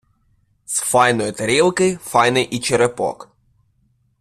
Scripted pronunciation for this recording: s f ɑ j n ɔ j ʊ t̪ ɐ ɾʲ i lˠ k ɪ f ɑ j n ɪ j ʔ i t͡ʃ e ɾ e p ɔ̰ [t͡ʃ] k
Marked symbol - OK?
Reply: no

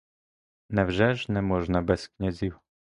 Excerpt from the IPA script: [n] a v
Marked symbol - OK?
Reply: yes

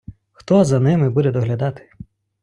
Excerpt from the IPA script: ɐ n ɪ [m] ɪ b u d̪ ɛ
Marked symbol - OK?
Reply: yes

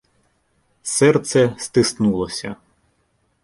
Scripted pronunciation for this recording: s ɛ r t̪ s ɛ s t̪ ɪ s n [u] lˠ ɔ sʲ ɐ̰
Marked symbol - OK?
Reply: yes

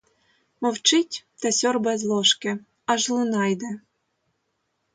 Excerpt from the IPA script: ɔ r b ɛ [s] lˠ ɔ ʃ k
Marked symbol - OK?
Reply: no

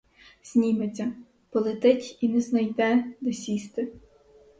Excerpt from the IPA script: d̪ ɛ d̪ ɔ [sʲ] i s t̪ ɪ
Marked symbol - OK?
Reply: yes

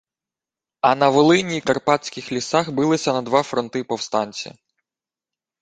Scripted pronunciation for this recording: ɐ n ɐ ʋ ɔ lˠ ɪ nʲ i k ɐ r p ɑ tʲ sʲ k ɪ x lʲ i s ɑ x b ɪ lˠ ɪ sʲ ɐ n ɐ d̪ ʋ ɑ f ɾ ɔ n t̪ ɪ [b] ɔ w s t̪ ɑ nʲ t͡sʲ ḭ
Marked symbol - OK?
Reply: no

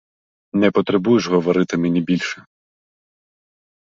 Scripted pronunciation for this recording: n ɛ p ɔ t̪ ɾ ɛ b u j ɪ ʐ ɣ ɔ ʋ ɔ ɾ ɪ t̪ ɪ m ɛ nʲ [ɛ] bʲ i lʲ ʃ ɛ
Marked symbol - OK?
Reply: no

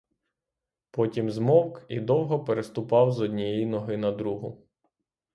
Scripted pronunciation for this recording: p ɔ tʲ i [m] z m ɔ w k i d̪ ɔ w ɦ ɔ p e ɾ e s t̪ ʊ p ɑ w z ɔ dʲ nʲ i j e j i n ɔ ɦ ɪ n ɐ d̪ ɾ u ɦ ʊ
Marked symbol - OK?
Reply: yes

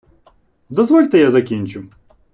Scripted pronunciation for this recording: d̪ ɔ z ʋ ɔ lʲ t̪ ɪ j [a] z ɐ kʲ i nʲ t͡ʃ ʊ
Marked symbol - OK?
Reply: yes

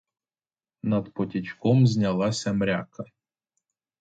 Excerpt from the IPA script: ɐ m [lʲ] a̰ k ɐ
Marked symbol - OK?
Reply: no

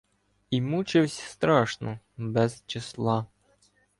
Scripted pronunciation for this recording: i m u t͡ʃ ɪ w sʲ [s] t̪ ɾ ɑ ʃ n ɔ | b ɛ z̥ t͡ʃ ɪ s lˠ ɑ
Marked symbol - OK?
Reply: yes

